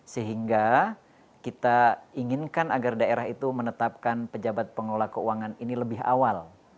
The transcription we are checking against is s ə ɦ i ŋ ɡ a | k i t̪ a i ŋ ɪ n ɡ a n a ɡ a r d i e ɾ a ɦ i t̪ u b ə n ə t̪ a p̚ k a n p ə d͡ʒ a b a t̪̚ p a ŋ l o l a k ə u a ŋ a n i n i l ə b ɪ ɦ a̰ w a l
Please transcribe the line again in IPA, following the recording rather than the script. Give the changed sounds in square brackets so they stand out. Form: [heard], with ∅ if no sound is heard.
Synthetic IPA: s ə ɦ i ŋ ɡ a | k i t̪ a i ŋ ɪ n [k] a n a ɡ a r d [a] e ɾ a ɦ i t̪ u [m] ə n ə t̪ a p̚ k a n p ə d͡ʒ a b a t̪̚ p [ə] ŋ l o l a k ə u a ŋ a n i n i l ə b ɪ ɦ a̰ w a l

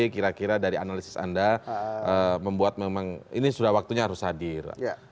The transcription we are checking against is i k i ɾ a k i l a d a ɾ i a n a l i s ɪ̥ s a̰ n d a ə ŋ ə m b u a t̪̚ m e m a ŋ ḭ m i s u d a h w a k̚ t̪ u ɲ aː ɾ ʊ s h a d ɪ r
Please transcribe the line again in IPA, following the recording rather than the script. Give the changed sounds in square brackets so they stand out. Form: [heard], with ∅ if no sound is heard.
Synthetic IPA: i k i ɾ a k i [ɾ] a d a ɾ i a n a l i s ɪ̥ s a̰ n d a ə [m] ə m b u a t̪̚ m e m a ŋ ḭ [n] i s u d a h w a k̚ t̪ u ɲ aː ɾ ʊ s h a d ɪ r

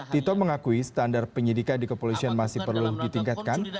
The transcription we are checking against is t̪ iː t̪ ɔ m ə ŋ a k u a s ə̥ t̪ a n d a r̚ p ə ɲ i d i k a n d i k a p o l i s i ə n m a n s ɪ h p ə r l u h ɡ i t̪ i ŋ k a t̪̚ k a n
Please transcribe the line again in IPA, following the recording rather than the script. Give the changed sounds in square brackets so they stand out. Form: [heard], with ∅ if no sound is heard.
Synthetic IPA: t̪ [i] t̪ ɔ m ə ŋ a k u [i] s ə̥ t̪ a n d a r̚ p ə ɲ i d i k a n d i k [ə] p o l i s i [a] n m a [∅] s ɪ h p ə r l u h [d] i t̪ i ŋ k a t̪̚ k a n

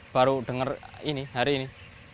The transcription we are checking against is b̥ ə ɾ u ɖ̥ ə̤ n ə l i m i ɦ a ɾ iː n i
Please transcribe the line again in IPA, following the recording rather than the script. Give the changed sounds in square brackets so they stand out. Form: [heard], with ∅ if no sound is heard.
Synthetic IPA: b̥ [a] ɾ u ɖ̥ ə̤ [ŋ] ə [r] i [n] i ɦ a ɾ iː n i

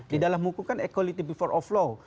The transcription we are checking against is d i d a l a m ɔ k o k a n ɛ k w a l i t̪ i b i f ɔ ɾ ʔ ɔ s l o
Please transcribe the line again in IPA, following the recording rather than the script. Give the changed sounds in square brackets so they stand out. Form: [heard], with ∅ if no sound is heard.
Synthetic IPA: d i d a l a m [u] k [u] k a n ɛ k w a l i t̪ i b i f ɔ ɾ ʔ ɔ [f] l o

